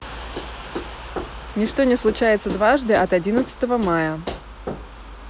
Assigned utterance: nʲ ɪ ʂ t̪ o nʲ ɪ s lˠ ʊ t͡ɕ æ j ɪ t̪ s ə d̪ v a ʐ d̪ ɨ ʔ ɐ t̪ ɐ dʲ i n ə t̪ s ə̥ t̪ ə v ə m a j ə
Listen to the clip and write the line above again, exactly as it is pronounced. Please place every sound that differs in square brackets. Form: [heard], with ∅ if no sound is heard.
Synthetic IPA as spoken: nʲ ɪ ʂ t̪ o nʲ ɪ s lˠ ʊ t͡ɕ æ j ɪ t̪ s ə d̪ v a ʐ d̪ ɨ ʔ ɐ t̪ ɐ dʲ i n ə t̪ s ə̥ t̪ ə v ə m a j ə